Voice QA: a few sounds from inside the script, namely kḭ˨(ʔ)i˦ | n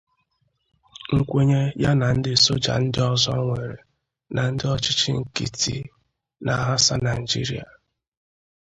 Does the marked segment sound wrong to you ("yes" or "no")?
yes